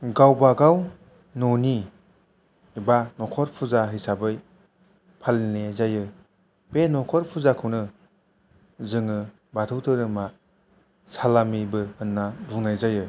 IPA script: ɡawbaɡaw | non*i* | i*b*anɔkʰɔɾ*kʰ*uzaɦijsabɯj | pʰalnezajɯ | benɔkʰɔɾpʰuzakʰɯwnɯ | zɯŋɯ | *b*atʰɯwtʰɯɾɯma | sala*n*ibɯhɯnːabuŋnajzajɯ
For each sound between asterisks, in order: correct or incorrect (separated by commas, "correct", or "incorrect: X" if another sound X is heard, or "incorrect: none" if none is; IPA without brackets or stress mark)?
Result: correct, correct, incorrect: pʰ, correct, incorrect: m